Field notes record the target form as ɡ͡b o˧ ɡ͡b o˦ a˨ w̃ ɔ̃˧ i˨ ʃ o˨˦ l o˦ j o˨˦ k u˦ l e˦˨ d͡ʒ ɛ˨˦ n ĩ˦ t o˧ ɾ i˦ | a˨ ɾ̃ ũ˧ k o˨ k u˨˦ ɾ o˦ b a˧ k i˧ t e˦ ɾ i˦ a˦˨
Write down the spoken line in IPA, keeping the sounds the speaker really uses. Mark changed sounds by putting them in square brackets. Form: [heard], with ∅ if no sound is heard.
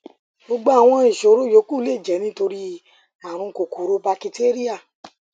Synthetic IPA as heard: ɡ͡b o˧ ɡ͡b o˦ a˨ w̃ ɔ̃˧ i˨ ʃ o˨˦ [ɾ] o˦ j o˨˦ k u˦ l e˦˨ d͡ʒ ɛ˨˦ n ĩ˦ t o˧ ɾ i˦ | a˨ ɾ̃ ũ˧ k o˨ k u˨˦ ɾ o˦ b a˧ k i˧ t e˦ ɾ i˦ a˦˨